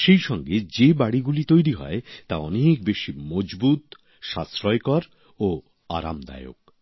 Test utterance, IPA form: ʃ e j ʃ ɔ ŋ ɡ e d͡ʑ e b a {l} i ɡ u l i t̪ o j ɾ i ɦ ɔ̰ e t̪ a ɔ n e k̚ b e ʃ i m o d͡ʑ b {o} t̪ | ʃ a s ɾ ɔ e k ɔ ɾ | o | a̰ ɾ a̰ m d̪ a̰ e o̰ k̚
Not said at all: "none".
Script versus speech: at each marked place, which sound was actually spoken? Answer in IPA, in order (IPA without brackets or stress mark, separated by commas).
ɽ, u